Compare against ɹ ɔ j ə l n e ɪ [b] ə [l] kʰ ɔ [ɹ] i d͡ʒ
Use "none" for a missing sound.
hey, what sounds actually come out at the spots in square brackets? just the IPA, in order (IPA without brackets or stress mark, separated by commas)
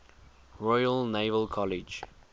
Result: v, l, l